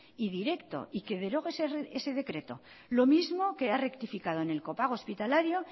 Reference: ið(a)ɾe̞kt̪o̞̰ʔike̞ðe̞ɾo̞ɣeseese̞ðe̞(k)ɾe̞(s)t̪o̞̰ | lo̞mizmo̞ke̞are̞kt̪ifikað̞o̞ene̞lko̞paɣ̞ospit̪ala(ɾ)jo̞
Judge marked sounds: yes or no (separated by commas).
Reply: no, yes, no, yes